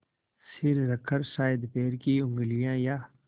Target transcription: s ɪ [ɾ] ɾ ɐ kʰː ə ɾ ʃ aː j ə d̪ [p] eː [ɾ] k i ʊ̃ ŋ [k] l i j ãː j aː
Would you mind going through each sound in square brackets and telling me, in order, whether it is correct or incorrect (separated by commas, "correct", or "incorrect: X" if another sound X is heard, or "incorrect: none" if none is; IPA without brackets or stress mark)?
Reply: correct, correct, correct, incorrect: ɡ